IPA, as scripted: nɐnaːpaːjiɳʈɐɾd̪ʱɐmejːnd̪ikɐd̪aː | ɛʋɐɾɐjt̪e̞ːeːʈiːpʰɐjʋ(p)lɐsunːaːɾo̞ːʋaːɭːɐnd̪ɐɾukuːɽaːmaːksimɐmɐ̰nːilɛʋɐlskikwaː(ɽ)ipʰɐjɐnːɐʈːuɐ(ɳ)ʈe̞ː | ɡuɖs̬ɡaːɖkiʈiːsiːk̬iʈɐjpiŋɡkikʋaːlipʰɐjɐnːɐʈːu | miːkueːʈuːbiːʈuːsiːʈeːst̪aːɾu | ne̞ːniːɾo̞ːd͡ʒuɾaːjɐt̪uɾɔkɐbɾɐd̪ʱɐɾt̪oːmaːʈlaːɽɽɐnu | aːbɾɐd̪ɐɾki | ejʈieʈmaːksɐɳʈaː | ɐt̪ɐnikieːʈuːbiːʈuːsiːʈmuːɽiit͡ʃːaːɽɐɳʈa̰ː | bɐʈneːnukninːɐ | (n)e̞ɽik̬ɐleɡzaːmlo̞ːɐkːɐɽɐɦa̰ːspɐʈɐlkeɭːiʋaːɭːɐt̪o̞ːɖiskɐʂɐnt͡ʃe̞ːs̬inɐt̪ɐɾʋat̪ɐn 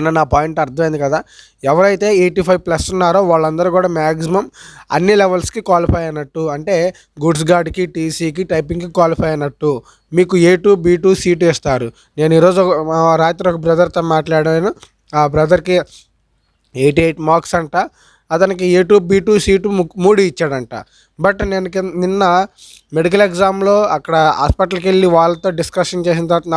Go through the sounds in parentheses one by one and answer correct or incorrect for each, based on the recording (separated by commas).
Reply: correct, incorrect, correct, incorrect